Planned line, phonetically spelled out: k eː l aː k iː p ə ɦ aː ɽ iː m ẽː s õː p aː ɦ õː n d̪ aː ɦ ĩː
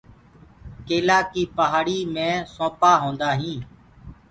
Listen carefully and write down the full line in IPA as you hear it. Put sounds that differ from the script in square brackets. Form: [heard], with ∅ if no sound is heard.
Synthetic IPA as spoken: k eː l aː k iː p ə ɦ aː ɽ iː m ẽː s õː p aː ɦ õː n d̪ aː ɦ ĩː

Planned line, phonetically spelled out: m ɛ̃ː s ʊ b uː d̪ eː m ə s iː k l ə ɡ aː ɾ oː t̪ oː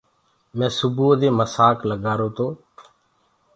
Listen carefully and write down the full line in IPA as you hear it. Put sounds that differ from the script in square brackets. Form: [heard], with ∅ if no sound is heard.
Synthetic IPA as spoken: m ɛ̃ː s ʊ b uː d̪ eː m ə s [aː] k l ə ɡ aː ɾ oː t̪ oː

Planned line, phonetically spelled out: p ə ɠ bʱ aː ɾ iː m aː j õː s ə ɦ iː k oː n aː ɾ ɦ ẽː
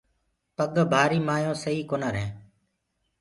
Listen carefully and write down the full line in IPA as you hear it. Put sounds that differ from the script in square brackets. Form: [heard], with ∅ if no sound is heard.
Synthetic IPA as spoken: p ə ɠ bʱ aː ɾ iː m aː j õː s ə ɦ iː k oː n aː ɾ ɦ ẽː

